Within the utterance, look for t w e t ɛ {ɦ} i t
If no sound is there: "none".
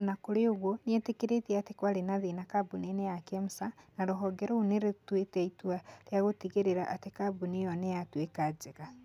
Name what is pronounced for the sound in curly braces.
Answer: none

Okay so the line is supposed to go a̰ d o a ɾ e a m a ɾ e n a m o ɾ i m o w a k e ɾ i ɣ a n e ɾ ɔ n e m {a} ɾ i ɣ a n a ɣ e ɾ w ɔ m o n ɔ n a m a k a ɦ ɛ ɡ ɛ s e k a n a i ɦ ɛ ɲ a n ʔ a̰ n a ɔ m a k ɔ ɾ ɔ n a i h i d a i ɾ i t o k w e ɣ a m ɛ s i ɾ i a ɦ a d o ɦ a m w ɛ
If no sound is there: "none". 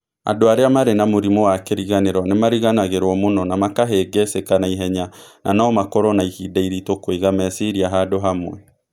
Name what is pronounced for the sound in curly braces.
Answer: a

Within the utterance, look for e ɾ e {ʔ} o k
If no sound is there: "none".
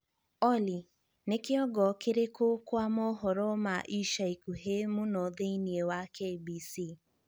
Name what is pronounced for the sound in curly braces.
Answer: k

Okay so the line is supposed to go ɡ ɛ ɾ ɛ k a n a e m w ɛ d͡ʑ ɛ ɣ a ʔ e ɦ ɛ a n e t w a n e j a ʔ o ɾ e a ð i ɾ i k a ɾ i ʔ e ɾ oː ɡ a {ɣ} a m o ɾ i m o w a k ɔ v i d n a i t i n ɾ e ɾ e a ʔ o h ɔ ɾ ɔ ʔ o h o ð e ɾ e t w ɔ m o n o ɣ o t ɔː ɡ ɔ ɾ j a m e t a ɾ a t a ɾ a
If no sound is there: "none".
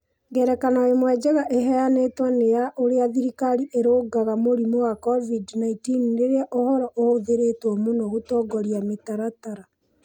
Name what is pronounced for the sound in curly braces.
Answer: ɣ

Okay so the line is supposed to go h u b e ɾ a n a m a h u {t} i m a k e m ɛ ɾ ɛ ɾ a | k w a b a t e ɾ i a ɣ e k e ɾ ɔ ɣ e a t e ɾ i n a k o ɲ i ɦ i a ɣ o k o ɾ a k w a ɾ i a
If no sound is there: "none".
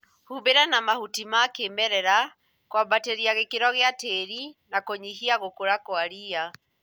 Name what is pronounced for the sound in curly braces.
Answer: t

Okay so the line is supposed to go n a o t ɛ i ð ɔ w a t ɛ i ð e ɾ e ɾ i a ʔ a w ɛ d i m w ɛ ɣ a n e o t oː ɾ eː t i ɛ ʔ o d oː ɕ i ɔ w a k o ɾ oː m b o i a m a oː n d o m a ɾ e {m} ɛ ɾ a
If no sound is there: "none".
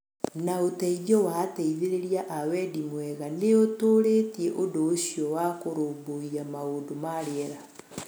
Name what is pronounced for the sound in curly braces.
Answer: none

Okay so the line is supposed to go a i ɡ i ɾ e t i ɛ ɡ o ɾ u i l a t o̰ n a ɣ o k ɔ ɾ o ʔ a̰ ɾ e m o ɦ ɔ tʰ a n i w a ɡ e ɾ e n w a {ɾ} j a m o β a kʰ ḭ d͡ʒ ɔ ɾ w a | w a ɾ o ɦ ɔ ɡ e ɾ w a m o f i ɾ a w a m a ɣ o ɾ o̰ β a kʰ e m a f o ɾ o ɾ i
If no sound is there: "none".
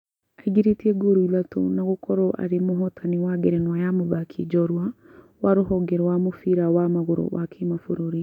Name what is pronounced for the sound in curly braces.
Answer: none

